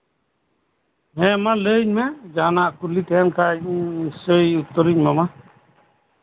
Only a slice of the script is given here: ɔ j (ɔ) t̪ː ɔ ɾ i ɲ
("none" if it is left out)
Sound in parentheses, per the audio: u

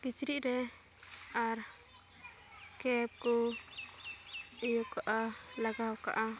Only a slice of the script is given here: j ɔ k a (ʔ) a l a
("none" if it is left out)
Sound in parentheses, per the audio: ʔ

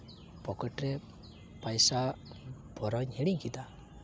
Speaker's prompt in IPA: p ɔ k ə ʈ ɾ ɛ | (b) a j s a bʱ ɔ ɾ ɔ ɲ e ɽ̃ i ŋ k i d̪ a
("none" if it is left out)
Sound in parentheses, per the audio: p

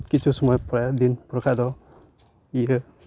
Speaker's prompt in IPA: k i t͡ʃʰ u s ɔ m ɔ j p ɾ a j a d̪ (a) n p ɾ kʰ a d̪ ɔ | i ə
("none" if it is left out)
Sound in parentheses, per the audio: i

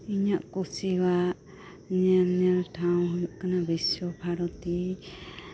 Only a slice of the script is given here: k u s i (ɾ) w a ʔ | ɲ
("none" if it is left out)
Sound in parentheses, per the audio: none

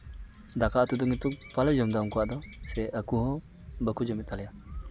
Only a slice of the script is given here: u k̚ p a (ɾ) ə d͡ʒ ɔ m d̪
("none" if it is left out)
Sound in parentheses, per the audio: l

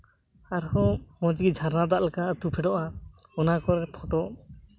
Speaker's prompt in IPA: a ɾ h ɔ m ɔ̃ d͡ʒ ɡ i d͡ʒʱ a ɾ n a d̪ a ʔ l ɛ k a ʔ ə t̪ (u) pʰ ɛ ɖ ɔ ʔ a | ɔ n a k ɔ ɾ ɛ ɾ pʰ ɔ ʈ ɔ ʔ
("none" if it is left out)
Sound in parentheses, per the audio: u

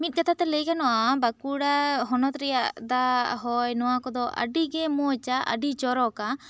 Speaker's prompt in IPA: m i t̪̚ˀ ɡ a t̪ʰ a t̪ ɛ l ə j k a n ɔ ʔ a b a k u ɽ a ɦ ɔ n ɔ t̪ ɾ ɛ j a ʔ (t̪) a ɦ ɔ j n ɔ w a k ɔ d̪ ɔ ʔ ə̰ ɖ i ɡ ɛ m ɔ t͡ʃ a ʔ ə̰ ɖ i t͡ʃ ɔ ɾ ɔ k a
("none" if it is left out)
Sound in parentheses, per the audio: d̪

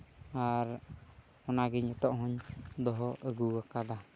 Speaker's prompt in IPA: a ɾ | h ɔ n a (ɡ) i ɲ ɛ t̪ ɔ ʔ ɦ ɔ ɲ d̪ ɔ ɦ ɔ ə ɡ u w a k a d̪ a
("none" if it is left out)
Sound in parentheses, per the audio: ɡ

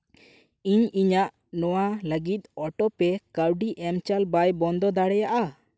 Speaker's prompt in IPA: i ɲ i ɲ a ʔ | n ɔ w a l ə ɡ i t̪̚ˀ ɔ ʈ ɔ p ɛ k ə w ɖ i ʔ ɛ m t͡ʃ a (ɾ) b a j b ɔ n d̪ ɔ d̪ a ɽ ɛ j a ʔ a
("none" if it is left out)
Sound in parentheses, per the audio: l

